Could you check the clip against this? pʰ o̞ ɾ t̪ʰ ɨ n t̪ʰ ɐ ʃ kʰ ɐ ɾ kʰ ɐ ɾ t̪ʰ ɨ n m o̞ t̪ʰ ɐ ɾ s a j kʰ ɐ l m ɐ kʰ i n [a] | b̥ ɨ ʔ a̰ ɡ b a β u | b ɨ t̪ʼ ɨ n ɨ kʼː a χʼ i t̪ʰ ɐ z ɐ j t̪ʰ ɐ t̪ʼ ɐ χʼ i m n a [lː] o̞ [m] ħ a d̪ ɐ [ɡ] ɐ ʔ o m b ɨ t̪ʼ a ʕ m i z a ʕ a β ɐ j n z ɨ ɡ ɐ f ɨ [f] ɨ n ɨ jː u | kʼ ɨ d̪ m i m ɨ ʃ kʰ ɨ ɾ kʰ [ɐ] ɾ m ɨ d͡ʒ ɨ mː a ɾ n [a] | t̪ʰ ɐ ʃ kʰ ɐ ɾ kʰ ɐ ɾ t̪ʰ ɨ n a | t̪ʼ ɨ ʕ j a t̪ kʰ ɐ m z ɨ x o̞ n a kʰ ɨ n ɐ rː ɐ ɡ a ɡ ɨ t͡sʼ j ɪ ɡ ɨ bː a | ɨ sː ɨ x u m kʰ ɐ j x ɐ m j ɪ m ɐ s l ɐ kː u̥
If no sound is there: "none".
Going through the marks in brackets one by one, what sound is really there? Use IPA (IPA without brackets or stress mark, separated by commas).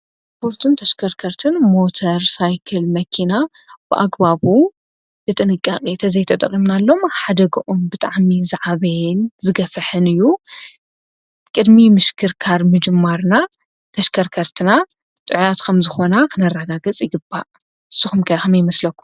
a, lː, m, ɡ, ħ, a, a